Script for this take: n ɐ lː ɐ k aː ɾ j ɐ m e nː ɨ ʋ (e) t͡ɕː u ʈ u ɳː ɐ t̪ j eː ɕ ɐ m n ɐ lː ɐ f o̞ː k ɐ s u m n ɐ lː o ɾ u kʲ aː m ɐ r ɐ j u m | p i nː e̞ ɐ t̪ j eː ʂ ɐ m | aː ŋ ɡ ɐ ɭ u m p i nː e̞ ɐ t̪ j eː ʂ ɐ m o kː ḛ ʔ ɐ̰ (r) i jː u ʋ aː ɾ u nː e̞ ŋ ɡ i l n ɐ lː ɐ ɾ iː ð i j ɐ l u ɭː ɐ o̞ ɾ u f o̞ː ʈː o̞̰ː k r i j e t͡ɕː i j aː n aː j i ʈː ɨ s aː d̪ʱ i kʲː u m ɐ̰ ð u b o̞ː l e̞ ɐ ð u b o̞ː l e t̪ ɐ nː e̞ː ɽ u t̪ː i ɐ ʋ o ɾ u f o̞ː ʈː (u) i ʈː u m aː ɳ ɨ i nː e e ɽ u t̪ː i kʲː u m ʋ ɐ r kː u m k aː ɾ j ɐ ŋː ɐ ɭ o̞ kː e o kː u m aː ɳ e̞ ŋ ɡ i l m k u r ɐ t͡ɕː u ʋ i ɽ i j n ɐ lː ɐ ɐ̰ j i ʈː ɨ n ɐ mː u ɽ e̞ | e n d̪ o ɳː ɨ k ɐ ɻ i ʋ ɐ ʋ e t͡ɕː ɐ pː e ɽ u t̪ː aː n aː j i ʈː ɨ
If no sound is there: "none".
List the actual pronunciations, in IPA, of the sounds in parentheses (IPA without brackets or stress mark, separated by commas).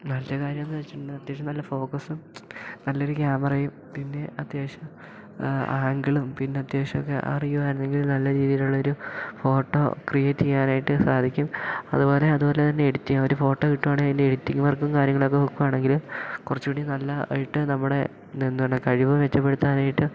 e, r, o